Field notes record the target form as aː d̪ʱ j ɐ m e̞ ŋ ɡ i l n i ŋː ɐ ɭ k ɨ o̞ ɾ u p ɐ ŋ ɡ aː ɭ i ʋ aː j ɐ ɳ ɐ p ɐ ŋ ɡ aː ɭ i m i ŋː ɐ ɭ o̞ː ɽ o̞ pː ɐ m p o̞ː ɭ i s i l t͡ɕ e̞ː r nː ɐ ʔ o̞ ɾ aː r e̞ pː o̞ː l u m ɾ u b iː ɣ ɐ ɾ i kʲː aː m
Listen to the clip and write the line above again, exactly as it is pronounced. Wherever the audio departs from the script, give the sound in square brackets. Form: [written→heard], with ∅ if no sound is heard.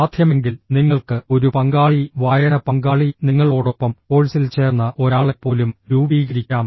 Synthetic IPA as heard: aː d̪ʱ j ɐ m e̞ ŋ ɡ i l n i ŋː ɐ ɭ k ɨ o̞ ɾ u p ɐ ŋ ɡ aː ɭ i ʋ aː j ɐ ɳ ɐ p ɐ ŋ ɡ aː ɭ i [m→n] i ŋː ɐ ɭ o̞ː ɽ o̞ pː ɐ m p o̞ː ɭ i s i l t͡ɕ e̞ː r nː ɐ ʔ o̞ ɾ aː [r→ɭ] e̞ pː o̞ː l u m ɾ [u→uː] b iː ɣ ɐ ɾ i kʲː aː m

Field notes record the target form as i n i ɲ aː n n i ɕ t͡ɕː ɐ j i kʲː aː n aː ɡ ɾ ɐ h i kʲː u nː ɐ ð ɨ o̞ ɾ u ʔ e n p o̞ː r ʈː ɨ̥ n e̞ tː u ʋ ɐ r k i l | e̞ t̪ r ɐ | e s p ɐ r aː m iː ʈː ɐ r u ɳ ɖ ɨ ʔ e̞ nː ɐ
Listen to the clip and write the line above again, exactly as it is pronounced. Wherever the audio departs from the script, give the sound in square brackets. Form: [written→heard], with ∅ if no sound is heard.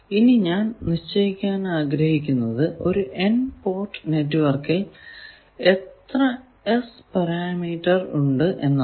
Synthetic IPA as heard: i n i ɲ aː n n i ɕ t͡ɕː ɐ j i kʲː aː n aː ɡ ɾ ɐ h i kʲː u nː ɐ ð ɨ o̞ ɾ u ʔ e n p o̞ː r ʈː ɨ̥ n e̞ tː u ʋ ɐ r k i l | e̞ t̪ r ɐ | e s p ɐ [r→ɾ] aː m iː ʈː ɐ r u ɳ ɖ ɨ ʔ e̞ nː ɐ

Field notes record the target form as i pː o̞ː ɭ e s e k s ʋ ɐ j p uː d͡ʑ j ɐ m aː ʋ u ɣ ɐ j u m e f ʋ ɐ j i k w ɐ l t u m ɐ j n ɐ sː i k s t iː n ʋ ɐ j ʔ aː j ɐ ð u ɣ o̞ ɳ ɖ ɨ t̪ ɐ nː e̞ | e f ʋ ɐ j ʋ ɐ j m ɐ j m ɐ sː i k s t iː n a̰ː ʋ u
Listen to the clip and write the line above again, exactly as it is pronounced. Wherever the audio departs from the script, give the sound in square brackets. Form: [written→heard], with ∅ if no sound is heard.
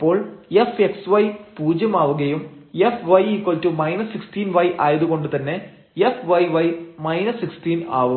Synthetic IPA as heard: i pː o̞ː ɭ e [s→f] e k s ʋ ɐ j p uː d͡ʑ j ɐ m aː ʋ u ɣ ɐ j u m e f ʋ ɐ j i k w ɐ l t u m ɐ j n ɐ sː i k s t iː n ʋ ɐ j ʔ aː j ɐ ð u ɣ o̞ ɳ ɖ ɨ t̪ ɐ nː e̞ | e f ʋ ɐ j ʋ ɐ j m ɐ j [m→n] ɐ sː i k s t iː n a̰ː ʋ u

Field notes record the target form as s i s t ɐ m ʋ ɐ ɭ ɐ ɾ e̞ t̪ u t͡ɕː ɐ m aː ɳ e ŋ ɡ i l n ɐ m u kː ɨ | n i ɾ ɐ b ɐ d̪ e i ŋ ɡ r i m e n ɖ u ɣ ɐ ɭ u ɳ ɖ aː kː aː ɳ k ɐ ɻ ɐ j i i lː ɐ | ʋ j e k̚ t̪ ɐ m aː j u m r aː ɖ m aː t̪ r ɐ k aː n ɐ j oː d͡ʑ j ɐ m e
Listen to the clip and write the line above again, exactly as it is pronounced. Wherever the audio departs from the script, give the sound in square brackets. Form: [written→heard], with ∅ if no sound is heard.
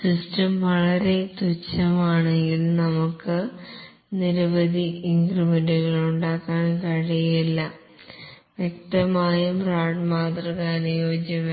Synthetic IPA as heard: s i s t ɐ m ʋ ɐ ɭ ɐ ɾ e̞ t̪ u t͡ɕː ɐ m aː ɳ e ŋ ɡ i l n ɐ m u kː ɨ | n i ɾ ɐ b ɐ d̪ [e→i] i ŋ ɡ r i m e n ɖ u ɣ ɐ ɭ u ɳ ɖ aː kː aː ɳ k ɐ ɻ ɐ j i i lː ɐ | ʋ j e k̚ t̪ ɐ m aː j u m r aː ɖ m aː t̪ r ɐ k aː n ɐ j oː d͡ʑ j ɐ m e

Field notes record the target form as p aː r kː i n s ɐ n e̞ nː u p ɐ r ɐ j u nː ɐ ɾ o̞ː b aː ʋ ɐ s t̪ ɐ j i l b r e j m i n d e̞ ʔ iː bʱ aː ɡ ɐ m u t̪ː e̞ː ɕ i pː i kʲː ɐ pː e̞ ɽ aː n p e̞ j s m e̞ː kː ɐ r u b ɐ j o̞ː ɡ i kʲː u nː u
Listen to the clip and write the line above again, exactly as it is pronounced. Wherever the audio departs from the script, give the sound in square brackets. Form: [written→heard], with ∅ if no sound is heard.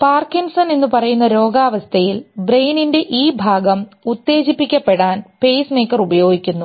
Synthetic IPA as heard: p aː r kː i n s ɐ n e̞ nː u p ɐ r ɐ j u nː ɐ ɾ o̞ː [b→ɡ] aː ʋ ɐ s [t̪→t̪ʰ] ɐ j i l b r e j [m→n] i n d e̞ ʔ iː bʱ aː ɡ ɐ m u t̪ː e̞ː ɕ i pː i kʲː ɐ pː e̞ ɽ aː n p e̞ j s m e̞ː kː ɐ r u b ɐ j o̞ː ɡ i kʲː u nː u

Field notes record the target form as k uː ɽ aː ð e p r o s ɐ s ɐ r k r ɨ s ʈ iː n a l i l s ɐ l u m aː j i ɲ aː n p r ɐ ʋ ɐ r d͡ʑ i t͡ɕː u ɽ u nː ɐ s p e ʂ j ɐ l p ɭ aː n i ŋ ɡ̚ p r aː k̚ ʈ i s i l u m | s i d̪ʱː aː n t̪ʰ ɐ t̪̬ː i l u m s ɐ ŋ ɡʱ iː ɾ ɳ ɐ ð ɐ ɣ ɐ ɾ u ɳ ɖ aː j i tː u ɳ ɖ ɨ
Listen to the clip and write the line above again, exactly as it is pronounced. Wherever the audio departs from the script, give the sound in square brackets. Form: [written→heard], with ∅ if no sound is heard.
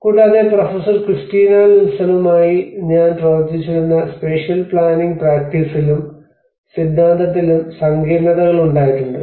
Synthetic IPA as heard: k uː ɽ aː ð e p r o [s→f] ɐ s ɐ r k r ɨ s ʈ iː n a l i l s ɐ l u m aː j i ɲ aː n p r ɐ ʋ ɐ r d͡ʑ i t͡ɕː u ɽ u nː ɐ s p e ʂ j ɐ l p ɭ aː n i ŋ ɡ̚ p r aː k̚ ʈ i s i l u m | s i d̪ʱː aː n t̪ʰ ɐ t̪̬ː i l u m s ɐ ŋ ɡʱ iː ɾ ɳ ɐ ð ɐ ɣ ɐ [ɾ→ɭ] u ɳ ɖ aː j i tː u ɳ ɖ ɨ

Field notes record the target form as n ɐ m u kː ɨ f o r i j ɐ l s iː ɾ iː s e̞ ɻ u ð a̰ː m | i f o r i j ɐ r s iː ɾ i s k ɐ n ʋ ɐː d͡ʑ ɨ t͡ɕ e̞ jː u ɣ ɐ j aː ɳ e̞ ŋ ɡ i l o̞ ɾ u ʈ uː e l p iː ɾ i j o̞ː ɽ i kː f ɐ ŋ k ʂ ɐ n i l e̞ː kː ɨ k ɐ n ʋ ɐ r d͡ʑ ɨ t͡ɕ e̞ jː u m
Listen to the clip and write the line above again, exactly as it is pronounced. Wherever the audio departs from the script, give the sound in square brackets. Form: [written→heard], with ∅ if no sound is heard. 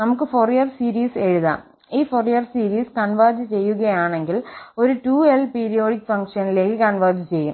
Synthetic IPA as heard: n ɐ m u kː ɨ f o r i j ɐ [l→r] s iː ɾ iː s e̞ ɻ u ð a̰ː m | [i→iː] f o r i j ɐ r s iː ɾ [i→iː] s k ɐ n ʋ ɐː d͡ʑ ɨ t͡ɕ e̞ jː u ɣ ɐ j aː ɳ e̞ ŋ ɡ i l o̞ ɾ u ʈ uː e l p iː ɾ i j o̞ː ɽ i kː f ɐ ŋ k ʂ ɐ n i l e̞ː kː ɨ k ɐ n ʋ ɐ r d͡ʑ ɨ t͡ɕ e̞ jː u m

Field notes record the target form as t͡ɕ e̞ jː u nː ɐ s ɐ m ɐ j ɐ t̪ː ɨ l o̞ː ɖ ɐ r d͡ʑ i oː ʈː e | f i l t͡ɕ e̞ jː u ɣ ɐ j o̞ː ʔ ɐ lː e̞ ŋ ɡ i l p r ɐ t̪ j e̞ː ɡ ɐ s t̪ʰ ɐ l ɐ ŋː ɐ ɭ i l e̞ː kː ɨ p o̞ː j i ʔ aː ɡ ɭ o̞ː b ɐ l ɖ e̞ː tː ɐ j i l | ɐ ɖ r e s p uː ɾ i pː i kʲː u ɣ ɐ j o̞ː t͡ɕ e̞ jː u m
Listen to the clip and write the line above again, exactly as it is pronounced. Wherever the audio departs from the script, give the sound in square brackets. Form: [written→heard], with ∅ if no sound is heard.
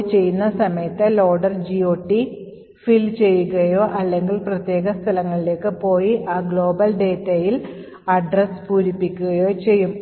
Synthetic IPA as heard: t͡ɕ e̞ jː u nː ɐ s ɐ m ɐ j ɐ t̪ː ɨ l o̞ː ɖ ɐ r d͡ʑ i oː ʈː [e→i] | f i l t͡ɕ e̞ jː u ɣ ɐ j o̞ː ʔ ɐ lː e̞ ŋ ɡ i l p r ɐ t̪ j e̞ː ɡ ɐ s t̪ʰ ɐ l ɐ ŋː ɐ ɭ i l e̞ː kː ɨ p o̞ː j i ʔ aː ɡ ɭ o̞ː b ɐ l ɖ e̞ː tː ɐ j i l | ɐ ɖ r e s p uː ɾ i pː i kʲː u ɣ ɐ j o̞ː t͡ɕ e̞ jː u m

